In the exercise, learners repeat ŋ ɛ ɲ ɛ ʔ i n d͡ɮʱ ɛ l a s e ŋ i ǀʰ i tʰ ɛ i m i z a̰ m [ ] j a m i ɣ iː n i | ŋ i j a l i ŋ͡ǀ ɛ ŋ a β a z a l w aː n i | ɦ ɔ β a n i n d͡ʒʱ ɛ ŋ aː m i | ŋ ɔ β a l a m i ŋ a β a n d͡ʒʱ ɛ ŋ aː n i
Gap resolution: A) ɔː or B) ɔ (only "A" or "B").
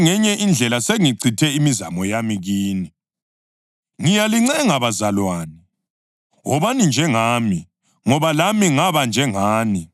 B